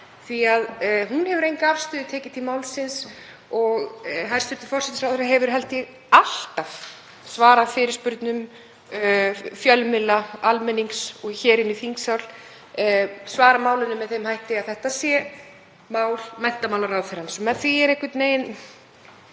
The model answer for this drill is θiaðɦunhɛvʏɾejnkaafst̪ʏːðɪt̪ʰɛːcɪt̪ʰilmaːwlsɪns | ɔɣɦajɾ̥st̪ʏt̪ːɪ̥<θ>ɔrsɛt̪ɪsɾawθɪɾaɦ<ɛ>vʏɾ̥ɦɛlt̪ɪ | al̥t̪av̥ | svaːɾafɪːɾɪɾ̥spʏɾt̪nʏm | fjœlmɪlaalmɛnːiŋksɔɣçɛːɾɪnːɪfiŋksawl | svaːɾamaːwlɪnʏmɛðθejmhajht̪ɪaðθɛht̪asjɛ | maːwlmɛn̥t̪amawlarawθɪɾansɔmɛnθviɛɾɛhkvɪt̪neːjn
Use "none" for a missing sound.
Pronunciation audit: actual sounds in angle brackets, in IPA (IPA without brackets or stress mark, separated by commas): f, ɛ